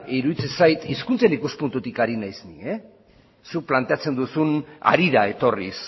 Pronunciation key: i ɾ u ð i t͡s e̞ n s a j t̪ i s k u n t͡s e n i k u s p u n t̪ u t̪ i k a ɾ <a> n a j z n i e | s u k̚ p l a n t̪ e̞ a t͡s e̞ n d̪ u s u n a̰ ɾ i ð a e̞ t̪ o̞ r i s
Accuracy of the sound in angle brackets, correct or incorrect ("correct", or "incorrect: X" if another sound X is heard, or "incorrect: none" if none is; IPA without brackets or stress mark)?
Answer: incorrect: i